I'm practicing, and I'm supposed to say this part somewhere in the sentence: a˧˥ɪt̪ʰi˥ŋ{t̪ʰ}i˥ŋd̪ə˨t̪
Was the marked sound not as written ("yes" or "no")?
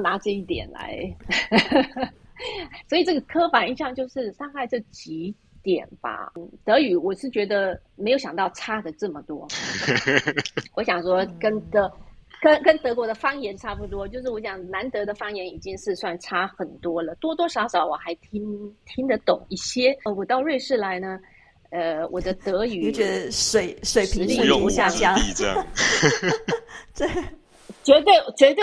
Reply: no